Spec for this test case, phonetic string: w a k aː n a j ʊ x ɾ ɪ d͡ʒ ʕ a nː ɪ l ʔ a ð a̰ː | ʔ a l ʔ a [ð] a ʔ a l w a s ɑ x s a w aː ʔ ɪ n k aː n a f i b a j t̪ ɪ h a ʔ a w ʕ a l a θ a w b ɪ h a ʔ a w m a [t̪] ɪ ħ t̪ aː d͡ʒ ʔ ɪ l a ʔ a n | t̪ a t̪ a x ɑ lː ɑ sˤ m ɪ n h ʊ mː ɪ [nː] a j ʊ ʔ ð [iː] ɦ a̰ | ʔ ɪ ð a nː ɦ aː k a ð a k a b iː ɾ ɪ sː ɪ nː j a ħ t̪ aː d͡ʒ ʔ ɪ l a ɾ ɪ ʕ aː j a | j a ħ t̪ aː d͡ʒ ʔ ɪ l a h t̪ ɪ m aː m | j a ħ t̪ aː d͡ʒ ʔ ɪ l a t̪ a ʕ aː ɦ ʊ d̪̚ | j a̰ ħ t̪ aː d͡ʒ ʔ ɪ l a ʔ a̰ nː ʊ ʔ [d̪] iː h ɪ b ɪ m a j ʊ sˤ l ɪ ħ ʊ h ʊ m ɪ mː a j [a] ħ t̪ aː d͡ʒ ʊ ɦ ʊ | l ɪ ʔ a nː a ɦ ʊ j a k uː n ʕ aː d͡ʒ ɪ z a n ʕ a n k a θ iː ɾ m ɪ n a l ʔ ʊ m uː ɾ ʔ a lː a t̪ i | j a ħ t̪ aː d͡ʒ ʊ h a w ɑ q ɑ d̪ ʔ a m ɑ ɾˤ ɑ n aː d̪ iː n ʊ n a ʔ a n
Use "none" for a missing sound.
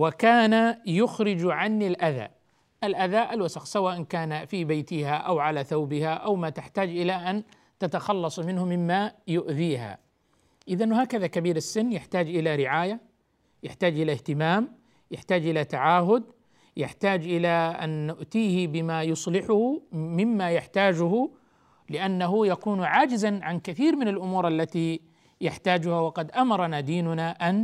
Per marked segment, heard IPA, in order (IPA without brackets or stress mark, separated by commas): ð, t̪, mː, iː, t̪, a